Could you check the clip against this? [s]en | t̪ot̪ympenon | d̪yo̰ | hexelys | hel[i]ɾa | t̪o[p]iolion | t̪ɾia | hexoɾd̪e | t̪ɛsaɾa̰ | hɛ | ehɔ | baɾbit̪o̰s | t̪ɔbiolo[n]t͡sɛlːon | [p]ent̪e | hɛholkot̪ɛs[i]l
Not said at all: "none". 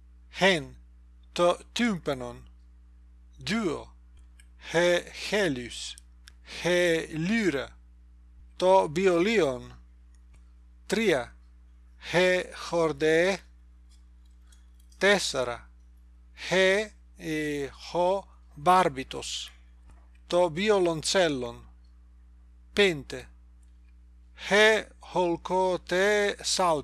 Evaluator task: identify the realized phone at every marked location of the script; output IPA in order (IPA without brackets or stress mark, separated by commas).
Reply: h, y, b, n, p, a